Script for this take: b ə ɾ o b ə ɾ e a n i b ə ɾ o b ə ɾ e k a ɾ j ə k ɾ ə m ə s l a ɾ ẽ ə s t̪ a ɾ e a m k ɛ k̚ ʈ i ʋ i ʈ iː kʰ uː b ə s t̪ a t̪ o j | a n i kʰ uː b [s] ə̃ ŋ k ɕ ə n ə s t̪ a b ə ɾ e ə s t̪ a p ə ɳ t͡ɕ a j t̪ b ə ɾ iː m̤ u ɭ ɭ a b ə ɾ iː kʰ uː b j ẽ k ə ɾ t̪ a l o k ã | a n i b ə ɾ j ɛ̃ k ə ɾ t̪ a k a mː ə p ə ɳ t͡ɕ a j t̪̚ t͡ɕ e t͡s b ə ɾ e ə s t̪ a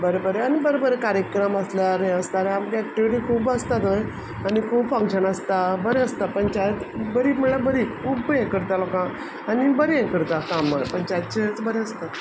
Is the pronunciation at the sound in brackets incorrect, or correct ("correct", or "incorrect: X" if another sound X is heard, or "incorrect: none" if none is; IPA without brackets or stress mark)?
incorrect: f